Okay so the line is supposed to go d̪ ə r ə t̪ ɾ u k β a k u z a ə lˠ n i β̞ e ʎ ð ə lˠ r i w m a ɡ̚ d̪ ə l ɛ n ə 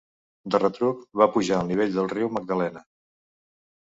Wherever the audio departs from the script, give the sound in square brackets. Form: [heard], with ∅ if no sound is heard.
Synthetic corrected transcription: d̪ ə r ə t̪ ɾ u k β a [p] u [ʒ] a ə lˠ n i β̞ e ʎ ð ə lˠ r i w m [ə] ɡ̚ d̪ ə l ɛ n ə